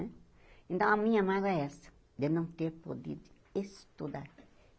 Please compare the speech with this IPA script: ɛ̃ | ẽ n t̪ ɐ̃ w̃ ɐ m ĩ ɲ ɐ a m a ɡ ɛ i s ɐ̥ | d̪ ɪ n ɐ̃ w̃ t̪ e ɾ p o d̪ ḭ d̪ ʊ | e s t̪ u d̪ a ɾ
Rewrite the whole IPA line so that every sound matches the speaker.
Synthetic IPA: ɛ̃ | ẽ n t̪ ɐ̃ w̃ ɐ m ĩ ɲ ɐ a m a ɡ ɛ ɛ s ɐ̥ | d̪ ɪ n ɐ̃ w̃ t̪ e ɾ p o d̪ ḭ d̪ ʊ | e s t̪ u d̪ a ɾ